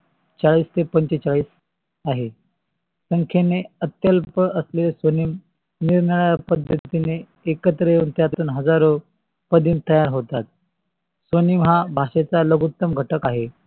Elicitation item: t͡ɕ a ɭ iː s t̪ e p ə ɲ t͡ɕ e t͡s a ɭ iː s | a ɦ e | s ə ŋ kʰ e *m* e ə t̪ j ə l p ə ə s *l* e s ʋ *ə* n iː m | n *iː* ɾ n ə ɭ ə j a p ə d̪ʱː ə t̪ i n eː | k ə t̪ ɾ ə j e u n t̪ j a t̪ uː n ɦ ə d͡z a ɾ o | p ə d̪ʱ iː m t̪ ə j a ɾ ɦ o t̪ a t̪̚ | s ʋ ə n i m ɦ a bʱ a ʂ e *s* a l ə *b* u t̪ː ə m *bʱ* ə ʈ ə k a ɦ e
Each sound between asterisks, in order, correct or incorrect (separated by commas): incorrect, correct, correct, incorrect, incorrect, incorrect, incorrect